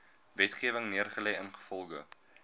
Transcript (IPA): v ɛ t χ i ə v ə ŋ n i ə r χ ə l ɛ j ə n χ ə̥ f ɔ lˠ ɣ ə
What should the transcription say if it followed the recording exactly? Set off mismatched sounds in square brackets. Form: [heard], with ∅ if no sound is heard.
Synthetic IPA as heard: v ɛ t χ i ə v ə ŋ n i ə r χ ə l ɛ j ə n χ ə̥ f ɔ lˠ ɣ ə